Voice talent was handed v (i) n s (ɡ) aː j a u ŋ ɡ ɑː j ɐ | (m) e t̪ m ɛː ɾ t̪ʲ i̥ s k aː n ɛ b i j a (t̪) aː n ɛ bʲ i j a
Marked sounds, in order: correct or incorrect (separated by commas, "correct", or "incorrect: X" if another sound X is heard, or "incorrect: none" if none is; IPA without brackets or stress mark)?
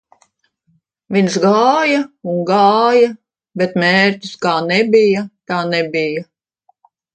correct, correct, incorrect: b, correct